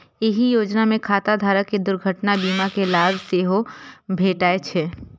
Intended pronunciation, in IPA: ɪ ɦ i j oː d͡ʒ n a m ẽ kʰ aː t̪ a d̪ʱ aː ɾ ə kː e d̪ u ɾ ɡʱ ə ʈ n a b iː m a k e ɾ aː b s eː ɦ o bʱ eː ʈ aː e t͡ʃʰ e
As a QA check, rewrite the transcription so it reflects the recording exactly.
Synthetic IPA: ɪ ɦ i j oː d͡ʒ n a m ẽ kʰ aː t̪ a d̪ʱ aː ɾ ə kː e d̪ ʊ ɾ ɡʱ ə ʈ n a b iː m a k e l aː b s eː ɦ o bʱ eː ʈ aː e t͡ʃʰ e